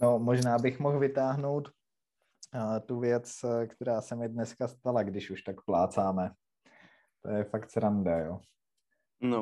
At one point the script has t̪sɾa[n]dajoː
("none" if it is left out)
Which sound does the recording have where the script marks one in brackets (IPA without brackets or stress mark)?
n